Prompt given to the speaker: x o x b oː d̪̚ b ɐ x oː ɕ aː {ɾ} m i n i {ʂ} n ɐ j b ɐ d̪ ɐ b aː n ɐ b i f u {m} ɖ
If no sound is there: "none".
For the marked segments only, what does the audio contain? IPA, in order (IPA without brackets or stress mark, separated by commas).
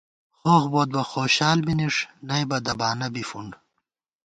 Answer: l, ʂ, ɳ